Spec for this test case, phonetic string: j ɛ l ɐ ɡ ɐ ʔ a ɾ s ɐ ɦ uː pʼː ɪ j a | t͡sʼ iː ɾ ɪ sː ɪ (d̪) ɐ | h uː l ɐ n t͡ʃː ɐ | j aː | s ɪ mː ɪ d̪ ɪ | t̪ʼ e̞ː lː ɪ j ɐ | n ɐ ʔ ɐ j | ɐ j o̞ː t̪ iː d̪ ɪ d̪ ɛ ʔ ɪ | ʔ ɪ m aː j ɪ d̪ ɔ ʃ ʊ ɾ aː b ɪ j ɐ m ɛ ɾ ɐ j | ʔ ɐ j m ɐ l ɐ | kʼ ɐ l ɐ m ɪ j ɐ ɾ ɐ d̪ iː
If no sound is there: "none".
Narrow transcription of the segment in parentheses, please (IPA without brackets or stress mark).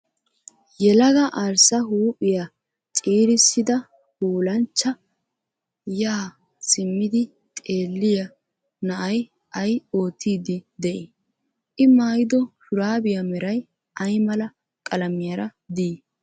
d̪